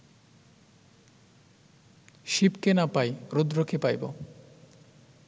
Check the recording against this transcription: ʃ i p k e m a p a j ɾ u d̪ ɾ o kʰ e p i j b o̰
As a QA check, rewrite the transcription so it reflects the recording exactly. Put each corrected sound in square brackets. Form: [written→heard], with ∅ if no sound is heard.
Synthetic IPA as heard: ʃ i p k e [m→n] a p a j ɾ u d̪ ɾ o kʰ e p [i→a] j b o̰